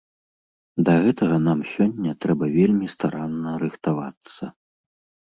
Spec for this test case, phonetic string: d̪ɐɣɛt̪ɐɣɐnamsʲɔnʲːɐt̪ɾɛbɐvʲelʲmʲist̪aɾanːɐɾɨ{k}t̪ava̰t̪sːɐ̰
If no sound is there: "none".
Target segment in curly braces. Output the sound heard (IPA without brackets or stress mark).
x